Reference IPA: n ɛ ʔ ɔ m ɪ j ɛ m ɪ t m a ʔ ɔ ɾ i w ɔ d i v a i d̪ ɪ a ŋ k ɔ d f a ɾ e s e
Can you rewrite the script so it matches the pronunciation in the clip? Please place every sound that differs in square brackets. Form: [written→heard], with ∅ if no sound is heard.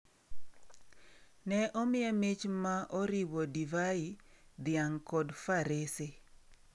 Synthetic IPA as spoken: n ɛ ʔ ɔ m ɪ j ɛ m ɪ [t→t͡ʃ] m a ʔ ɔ ɾ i w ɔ d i v a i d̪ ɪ a ŋ k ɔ d f a ɾ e s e